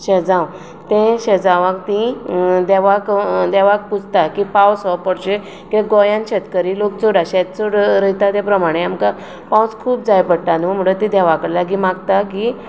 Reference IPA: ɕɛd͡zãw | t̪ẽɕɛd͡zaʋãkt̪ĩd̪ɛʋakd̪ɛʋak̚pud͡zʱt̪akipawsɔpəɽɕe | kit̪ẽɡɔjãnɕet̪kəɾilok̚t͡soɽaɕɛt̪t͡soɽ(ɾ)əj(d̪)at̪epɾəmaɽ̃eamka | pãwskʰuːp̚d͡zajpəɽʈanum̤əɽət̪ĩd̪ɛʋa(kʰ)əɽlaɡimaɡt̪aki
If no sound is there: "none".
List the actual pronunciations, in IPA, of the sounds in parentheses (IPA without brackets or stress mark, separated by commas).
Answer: ɾ, t̪, k